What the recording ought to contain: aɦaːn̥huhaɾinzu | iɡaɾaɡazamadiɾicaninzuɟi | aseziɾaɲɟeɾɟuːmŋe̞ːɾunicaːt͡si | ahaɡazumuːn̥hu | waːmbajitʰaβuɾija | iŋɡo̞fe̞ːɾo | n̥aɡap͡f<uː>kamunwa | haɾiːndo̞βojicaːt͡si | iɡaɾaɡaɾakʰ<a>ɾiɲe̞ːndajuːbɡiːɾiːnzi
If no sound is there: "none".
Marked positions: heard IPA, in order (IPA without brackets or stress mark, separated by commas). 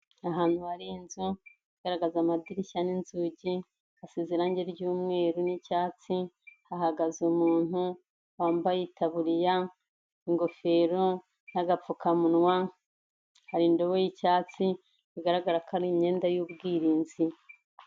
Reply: u, a